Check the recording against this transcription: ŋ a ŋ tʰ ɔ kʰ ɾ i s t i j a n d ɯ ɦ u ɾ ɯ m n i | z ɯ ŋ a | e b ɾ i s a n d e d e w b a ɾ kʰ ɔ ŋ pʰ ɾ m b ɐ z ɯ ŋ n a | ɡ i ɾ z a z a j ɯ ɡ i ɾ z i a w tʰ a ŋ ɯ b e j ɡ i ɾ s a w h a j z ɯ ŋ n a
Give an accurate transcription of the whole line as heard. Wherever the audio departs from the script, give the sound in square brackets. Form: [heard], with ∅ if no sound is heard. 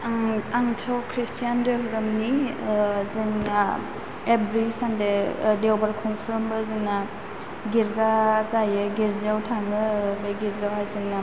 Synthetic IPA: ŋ a ŋ tʰ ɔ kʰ ɾ i s t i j a n d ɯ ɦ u ɾ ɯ m n i | z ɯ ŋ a | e b ɾ i s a n d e d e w b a ɾ kʰ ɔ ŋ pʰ ɾ m b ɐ z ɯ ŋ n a | ɡ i ɾ z a z a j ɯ ɡ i ɾ z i a w tʰ a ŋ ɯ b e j ɡ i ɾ [z] a w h a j z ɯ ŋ n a